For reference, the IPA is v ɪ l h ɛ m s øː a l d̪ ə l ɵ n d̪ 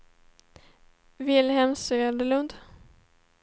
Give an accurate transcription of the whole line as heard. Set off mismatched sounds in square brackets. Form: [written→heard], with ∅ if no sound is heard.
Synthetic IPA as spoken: v ɪ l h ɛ m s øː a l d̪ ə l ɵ n d̪

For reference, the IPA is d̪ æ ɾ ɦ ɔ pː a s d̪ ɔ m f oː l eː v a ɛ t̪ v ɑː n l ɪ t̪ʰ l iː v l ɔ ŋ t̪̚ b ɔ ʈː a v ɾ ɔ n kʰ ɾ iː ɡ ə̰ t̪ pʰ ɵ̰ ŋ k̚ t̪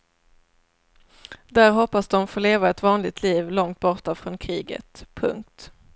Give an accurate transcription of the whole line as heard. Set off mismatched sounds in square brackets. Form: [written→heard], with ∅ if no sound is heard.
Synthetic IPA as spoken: d̪ æ ɾ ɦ ɔ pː a s d̪ ɔ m f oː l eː v a ɛ t̪ v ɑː n l ɪ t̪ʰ l iː v l ɔ ŋ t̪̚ b ɔ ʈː a [v→f] ɾ ɔ n kʰ ɾ iː ɡ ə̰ t̪ pʰ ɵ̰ ŋ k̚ t̪

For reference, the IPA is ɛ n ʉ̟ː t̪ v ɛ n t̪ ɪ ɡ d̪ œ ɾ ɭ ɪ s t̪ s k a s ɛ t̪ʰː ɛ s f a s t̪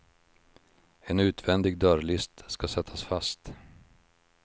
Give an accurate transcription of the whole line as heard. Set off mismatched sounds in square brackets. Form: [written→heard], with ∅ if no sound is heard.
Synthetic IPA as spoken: ɛ n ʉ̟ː t̪ v ɛ n [t̪→d̪] ɪ ɡ d̪ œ ɾ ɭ ɪ s t̪ s k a s ɛ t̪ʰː [ɛ→a] s f a s t̪

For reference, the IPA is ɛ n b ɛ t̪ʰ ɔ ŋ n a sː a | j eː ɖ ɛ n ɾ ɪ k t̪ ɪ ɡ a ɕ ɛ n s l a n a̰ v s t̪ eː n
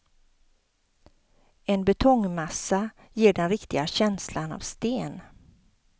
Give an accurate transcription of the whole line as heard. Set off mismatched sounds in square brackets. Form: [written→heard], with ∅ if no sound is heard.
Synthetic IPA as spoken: ɛ n b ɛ t̪ʰ ɔ ŋ [n→m] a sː a | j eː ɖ ɛ n ɾ ɪ k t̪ ɪ ɡ a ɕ ɛ n s l a n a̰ v s t̪ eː n

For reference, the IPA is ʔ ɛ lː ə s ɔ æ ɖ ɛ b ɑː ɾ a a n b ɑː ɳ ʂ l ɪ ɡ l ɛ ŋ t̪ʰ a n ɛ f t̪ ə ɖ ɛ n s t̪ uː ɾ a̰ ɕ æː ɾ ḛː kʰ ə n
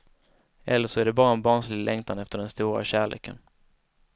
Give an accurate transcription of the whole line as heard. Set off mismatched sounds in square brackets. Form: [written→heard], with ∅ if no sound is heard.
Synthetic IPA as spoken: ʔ ɛ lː ə [s→ʂ] ɔ æ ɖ ɛ b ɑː ɾ a [a→ɛ] n b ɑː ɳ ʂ l ɪ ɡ l ɛ ŋ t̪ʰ a n ɛ f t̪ ə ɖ ɛ n s t̪ uː ɾ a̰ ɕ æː [ɾ→ɭ] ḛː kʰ ə n

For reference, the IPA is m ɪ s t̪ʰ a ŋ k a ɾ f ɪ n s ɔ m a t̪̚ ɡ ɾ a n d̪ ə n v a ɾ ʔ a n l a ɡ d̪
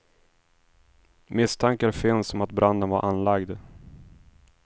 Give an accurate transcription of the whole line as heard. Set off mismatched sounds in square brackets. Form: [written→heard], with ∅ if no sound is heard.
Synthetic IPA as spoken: m ɪ s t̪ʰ a ŋ k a ɾ f ɪ n s ɔ m a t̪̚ [ɡ→b] ɾ a n d̪ ə n v a ɾ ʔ a n l a ɡ d̪

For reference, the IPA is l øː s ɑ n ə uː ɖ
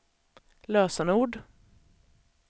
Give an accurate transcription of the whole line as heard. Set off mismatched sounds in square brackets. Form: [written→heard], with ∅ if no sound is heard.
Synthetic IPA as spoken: l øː s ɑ n ə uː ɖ

